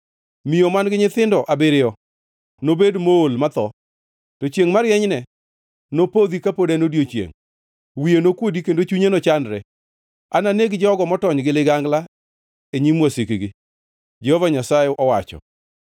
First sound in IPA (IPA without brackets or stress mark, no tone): m